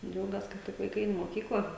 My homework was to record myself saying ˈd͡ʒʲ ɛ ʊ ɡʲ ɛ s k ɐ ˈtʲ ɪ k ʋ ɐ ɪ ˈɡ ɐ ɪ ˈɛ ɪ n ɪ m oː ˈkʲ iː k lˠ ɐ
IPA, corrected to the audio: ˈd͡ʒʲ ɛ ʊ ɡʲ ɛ s k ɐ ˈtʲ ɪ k ʋ ɐ ɪ ˈk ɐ ɪ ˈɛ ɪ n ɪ m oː ˈkʲ iː k lˠ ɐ